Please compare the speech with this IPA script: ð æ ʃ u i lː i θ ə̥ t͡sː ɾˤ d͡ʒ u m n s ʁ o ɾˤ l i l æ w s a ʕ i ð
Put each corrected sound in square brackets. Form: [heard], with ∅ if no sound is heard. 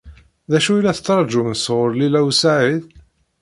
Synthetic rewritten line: ð æ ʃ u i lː [æ] θ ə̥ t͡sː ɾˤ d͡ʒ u m n s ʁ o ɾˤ l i l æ w s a ʕ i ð